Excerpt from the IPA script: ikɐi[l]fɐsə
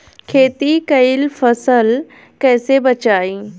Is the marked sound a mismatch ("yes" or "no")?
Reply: no